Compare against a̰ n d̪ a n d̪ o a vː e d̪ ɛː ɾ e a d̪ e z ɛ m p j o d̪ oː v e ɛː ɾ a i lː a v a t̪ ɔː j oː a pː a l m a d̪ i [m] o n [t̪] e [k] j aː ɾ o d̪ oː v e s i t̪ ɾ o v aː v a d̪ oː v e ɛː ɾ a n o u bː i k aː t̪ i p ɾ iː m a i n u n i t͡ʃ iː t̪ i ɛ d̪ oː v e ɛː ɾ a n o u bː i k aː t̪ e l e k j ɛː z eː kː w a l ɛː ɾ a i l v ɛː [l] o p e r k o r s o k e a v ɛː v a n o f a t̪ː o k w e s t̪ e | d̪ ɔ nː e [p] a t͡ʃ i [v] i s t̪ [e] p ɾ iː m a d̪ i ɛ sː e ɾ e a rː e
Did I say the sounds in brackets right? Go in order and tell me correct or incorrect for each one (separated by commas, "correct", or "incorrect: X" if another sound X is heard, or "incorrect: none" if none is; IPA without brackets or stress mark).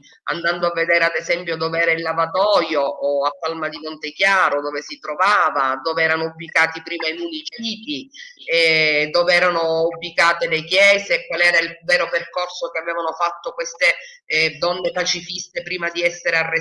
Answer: correct, correct, correct, incorrect: ɾ, correct, incorrect: f, correct